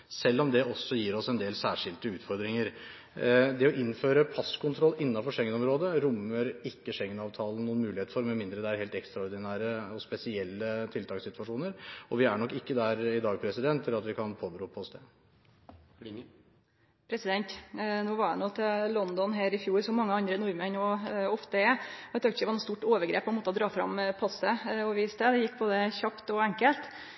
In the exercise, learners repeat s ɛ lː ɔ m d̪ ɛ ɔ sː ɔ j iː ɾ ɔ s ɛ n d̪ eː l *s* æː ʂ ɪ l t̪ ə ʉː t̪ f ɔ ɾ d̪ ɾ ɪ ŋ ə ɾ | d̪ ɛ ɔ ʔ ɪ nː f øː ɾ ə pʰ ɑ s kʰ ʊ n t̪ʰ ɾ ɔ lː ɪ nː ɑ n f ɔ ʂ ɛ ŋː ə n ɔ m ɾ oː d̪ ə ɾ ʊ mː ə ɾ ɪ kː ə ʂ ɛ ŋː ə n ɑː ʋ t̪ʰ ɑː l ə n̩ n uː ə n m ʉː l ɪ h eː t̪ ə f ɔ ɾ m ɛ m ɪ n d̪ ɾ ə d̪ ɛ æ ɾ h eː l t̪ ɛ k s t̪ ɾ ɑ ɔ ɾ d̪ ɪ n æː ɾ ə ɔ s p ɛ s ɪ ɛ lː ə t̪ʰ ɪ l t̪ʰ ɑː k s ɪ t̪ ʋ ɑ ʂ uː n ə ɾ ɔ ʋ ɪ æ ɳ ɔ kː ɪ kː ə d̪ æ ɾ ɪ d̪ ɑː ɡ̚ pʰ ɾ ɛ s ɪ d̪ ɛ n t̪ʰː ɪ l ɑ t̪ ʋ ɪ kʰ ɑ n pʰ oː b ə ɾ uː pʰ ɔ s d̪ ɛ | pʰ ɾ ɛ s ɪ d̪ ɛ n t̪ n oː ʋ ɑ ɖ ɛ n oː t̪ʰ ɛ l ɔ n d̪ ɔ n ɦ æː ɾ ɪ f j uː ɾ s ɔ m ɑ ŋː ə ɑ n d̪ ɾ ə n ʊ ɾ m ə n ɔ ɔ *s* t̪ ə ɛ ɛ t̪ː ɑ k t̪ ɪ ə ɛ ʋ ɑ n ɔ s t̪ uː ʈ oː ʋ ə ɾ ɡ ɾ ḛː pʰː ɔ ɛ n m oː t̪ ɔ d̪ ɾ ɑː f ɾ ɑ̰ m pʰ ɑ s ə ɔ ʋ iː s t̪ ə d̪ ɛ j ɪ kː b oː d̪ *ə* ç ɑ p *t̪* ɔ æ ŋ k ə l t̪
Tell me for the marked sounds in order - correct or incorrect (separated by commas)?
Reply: correct, incorrect, correct, correct